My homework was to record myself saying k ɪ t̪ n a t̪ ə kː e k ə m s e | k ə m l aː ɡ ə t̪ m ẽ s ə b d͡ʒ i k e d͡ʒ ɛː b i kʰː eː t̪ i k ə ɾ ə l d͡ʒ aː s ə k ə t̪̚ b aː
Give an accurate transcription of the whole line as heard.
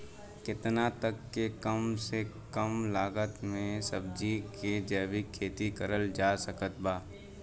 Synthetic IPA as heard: k ɪ t̪ n a t̪ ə kː e k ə m s e | k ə m l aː ɡ ə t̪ m ẽ s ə b d͡ʒ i k e d͡ʒ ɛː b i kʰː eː t̪ i k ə ɾ ə l d͡ʒ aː s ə k ə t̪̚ b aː